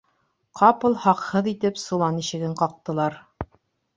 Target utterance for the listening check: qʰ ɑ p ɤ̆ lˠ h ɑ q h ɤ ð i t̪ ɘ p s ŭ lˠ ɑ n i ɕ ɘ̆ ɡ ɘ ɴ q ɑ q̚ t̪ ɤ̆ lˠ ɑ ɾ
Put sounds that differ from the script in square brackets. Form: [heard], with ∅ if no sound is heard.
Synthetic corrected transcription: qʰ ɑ p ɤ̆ lˠ h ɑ q h ɤ ð i t̪ ɘ p s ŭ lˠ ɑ n i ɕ ɘ̆ ɡ ɘ ɴ q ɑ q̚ t̪ ɤ̆ lˠ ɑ ɾ

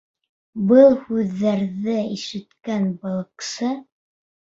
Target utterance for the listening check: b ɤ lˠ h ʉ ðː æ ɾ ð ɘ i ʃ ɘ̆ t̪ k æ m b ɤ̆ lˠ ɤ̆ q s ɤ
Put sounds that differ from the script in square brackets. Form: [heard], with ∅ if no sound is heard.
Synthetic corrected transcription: b ɤ lˠ h ʉ ðː æ ɾ ð ɘ i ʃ ɘ̆ t̪ k æ [n] b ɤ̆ lˠ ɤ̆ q s ɤ

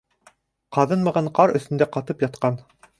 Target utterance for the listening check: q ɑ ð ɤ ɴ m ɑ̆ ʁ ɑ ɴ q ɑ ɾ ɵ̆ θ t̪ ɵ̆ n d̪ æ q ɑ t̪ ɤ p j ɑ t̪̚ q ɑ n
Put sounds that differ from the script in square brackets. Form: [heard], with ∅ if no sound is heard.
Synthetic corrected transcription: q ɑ ð ɤ [n] m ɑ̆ ʁ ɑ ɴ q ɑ ɾ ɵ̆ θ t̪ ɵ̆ n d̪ æ q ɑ t̪ ɤ p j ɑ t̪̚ q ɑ n

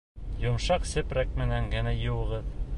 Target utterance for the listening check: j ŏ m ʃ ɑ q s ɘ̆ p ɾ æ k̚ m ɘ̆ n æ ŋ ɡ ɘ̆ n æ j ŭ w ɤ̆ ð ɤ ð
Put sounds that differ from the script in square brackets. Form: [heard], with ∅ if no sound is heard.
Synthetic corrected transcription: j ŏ m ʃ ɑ q s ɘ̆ p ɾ æ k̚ m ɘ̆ n æ ŋ ɡ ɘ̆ n æ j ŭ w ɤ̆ [ʁ] ɤ ð

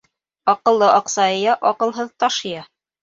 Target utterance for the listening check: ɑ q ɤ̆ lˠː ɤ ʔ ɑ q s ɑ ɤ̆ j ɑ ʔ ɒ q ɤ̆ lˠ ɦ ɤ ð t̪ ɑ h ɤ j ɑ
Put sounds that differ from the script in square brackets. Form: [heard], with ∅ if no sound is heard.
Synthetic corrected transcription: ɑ q ɤ̆ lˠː ɤ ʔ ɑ q s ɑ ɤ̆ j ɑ ʔ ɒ q ɤ̆ lˠ ɦ ɤ ð t̪ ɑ [ʃ] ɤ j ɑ

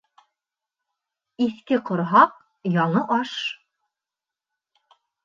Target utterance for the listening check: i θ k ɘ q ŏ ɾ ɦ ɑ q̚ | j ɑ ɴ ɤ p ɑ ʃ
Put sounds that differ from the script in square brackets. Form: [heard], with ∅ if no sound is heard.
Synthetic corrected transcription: i θ k ɘ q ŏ ɾ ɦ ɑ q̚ | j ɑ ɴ ɤ [ʔ] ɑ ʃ

